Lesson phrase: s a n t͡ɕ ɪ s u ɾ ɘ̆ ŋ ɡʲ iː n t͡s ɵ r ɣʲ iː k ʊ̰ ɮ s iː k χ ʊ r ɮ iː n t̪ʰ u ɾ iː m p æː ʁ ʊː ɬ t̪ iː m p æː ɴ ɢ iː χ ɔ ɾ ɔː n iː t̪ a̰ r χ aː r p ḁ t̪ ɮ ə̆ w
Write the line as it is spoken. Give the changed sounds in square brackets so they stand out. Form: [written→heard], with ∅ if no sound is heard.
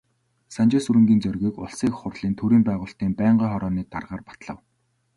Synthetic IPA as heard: s a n t͡ɕ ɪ s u ɾ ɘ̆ ŋ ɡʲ iː n t͡s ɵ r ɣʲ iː k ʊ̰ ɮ s iː k χ ʊ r ɮ iː n t̪ʰ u ɾ iː m p æː ʁ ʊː ɬ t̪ iː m p æː ɴ ɢ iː χ ɔ ɾ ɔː n iː t̪ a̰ r [χ→ʁ] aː r p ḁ t̪ ɮ ə̆ w